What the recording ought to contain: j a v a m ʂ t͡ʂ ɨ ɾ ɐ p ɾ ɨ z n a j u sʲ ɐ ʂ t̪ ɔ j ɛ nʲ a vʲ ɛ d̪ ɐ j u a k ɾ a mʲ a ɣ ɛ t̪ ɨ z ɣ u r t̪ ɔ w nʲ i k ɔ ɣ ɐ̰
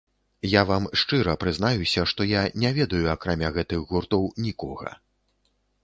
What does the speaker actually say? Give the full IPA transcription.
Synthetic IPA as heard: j a v a m ʂ t͡ʂ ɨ ɾ ɐ p ɾ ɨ z n a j u sʲ ɐ ʂ t̪ ɔ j a nʲ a vʲ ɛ d̪ ɐ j u a k ɾ a mʲ a ɣ ɛ t̪ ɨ ɣ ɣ u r t̪ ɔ w nʲ i k ɔ ɣ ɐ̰